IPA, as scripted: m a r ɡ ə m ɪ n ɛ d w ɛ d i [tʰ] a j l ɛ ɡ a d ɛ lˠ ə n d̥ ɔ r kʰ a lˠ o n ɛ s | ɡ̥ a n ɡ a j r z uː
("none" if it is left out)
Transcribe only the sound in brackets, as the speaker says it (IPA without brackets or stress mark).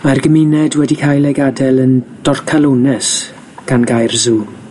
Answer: kʰ